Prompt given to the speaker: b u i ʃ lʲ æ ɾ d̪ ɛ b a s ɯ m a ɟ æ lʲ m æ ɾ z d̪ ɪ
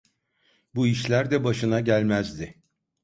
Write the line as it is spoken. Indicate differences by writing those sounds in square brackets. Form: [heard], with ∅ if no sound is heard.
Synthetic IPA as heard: b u i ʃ lʲ æ ɾ d̪ ɛ b a [ʃ] ɯ [n] a ɟ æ lʲ m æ [∅] z d̪ ɪ